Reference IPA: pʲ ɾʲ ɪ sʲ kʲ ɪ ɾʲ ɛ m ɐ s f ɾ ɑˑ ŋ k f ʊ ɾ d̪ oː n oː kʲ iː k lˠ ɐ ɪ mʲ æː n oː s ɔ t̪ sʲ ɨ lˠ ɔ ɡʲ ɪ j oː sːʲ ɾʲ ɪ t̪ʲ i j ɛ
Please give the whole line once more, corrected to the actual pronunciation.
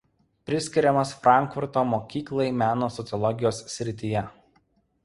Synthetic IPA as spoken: pʲ ɾʲ ɪ sʲ kʲ ɪ ɾʲ ɛ m ɐ s f ɾ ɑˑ ŋ k f ʊ ɾ t̪ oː m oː kʲ iː k lˠ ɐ ɪ mʲ æː n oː s ɔ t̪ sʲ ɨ lˠ ɔ ɡʲ ɪ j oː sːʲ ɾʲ ɪ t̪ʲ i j ɛ